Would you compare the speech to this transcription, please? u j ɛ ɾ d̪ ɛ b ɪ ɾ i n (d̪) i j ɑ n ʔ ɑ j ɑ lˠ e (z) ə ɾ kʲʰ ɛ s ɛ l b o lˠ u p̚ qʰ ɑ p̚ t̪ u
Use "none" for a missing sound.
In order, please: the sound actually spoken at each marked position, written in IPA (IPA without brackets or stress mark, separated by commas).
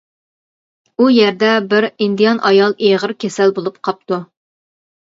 d̪, ʁ